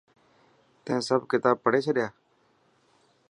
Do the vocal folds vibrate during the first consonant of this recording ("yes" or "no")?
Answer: no